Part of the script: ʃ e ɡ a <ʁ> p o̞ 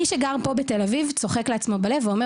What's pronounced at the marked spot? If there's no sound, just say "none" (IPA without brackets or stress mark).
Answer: ʁ